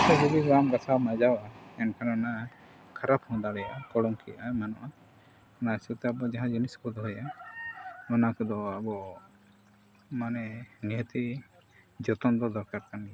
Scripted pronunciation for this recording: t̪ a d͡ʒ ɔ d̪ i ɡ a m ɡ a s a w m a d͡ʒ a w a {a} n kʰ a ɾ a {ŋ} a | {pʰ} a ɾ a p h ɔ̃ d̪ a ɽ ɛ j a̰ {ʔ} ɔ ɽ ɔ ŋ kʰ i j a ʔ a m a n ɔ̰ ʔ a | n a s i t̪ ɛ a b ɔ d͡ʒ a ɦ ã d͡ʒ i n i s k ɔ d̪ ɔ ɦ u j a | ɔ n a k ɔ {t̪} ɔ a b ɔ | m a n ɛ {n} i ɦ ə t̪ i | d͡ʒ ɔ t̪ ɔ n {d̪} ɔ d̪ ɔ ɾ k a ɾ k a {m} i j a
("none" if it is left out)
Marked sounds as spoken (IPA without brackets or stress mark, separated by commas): ɛ, n, kʰ, k, d̪, n, d̪, n